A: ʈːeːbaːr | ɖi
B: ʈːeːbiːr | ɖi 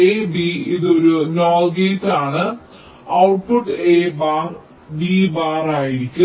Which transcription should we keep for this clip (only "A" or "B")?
A